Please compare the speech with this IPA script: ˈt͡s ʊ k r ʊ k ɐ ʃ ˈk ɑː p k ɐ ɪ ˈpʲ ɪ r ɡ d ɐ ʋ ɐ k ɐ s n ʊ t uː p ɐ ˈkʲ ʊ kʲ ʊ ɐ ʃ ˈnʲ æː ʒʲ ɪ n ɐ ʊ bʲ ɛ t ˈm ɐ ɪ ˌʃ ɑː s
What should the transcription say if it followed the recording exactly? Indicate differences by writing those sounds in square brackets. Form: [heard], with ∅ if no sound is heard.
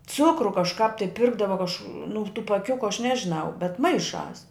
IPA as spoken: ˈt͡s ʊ k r ʊ k ɐ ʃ ˈk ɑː p [t] ɐ ɪ ˈpʲ ɪ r ɡ d ɐ ʋ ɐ k ɐ [ʃ] n ʊ t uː p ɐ ˈkʲ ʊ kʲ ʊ ɐ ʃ ˈnʲ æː ʒʲ ɪ n ɐ ʊ bʲ ɛ t ˈm ɐ ɪ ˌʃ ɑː s